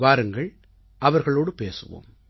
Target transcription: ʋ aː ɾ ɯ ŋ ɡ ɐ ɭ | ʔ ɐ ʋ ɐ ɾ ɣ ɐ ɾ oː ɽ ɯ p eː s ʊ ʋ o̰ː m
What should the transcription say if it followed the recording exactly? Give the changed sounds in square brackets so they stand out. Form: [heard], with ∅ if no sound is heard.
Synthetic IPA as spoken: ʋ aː ɾ ɯ ŋ ɡ ɐ ɭ | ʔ ɐ ʋ ɐ ɾ ɣ ɐ [ɭ] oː ɽ ɯ p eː s [ɯ] ʋ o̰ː m